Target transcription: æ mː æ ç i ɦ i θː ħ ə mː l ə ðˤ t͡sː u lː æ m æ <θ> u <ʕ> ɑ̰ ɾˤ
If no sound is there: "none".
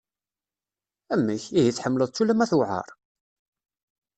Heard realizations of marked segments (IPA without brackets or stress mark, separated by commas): θ, ʕ